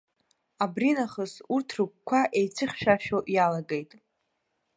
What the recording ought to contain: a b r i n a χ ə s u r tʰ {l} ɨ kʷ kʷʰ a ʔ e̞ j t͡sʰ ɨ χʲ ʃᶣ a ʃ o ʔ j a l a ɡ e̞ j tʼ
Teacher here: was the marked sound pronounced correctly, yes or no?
no